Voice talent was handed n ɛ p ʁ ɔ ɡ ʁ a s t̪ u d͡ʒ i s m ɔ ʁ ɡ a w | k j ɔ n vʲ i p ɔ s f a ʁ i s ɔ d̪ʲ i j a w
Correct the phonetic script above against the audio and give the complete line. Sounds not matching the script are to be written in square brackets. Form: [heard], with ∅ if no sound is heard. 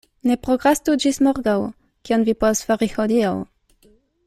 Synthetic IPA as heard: n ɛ p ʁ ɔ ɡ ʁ a s t̪ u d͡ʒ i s m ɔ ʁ ɡ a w | k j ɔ n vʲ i p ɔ s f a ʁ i [x] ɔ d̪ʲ i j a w